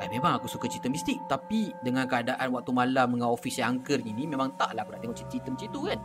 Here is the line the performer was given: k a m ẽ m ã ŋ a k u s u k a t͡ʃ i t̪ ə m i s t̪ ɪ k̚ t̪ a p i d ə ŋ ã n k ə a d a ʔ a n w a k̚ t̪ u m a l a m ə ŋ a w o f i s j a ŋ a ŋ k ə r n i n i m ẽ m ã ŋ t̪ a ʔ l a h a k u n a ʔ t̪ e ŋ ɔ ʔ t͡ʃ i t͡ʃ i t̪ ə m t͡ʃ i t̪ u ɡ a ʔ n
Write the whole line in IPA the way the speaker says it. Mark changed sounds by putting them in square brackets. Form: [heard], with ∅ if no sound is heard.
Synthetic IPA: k a m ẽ m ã ŋ a k u s u k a t͡ʃ i t̪ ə m i s t̪ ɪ k̚ t̪ a p i d ə ŋ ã n k ə a d a ʔ a n w a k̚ t̪ u m a l a m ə ŋ a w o f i s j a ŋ a ŋ k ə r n i n i m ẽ m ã ŋ t̪ a ʔ l a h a k u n a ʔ t̪ e ŋ ɔ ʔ t͡ʃ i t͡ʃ i t̪ ə m t͡ʃ i t̪ u [k] a [∅] n